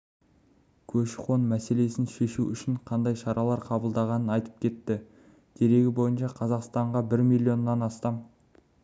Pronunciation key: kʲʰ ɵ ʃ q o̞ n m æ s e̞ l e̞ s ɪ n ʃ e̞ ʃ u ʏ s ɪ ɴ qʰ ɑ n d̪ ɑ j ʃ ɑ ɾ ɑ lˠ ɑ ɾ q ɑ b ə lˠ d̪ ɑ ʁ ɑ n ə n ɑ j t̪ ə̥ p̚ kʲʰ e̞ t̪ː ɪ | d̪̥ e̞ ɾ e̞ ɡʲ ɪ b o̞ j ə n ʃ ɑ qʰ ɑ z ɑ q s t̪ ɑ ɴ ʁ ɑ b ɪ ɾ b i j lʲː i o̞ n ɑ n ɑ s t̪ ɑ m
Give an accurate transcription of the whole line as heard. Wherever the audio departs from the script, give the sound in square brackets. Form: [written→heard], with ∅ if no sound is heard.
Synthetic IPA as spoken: kʲʰ ɵ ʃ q o̞ n m æ s e̞ l e̞ s ɪ n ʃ e̞ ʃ u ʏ [s→ʃ] ɪ ɴ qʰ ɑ n d̪ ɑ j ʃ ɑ ɾ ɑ lˠ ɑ ɾ [q→qʰ] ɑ b ə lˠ d̪ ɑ ʁ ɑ n ə n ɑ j t̪ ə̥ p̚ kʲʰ e̞ t̪ː ɪ | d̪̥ e̞ ɾ e̞ ɡʲ ɪ b o̞ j ə n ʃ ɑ qʰ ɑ z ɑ q s t̪ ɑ ɴ ʁ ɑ b ɪ ɾ [b→m] i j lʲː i o̞ [n→nː] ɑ n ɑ s t̪ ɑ m